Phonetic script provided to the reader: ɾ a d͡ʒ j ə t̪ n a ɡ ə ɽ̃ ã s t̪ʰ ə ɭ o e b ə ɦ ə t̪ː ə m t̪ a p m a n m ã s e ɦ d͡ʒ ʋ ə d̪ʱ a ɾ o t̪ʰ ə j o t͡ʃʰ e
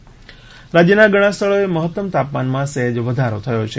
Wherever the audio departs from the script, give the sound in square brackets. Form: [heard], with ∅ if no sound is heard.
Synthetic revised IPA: ɾ a d͡ʒ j ə [∅] n a ɡ ə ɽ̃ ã s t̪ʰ ə ɭ o e [m] ə ɦ ə t̪ː ə m t̪ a p m a n m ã s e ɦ d͡ʒ ʋ ə d̪ʱ a ɾ o t̪ʰ ə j o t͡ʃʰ e